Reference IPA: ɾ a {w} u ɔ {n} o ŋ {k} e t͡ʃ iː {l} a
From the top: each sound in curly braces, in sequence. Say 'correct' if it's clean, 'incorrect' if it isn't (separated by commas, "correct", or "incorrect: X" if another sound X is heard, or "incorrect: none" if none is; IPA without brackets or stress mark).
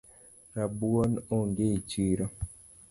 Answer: incorrect: b, correct, incorrect: ɡ, incorrect: ɾ